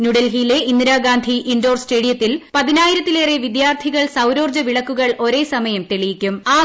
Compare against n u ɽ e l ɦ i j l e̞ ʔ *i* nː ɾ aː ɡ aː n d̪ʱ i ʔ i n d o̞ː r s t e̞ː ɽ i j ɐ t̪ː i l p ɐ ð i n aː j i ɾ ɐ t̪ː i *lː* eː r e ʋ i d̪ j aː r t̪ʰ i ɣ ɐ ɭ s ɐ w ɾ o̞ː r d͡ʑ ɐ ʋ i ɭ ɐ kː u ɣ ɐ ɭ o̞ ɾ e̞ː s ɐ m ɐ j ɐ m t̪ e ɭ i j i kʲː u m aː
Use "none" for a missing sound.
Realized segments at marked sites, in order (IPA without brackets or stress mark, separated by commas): i, l